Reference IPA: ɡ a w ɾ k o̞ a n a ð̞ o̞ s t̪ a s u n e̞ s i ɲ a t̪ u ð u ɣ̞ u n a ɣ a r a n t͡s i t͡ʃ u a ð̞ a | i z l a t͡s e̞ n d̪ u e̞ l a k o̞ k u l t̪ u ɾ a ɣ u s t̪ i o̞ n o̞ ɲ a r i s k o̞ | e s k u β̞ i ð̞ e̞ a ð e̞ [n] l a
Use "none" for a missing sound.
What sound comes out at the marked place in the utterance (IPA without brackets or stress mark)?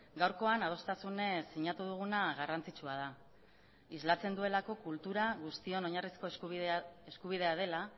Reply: none